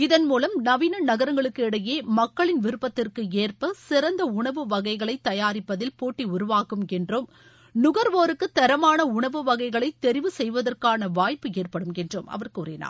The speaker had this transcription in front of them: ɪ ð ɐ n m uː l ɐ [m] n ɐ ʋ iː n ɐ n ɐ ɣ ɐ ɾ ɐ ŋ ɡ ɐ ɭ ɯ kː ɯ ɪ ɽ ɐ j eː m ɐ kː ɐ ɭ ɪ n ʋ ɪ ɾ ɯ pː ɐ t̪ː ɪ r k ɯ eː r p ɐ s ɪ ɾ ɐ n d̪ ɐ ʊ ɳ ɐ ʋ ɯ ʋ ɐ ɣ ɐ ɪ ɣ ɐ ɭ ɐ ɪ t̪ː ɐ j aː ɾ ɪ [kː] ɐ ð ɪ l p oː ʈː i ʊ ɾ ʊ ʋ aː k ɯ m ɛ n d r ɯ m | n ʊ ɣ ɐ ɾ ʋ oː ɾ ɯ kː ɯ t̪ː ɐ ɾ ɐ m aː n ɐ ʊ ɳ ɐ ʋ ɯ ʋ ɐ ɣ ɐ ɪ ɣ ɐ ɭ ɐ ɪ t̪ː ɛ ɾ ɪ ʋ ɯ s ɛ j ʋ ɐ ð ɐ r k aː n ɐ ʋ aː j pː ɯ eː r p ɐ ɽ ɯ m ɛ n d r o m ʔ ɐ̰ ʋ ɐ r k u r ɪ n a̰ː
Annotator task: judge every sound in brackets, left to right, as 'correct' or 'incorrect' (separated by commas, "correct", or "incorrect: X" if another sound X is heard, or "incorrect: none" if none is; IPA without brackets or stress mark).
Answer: correct, incorrect: pː